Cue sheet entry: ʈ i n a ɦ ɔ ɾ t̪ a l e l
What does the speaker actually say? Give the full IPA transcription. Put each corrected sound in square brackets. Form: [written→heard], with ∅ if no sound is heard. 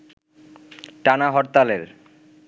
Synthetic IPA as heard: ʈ [i→a] n a ɦ ɔ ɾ t̪ a l e [l→ɾ]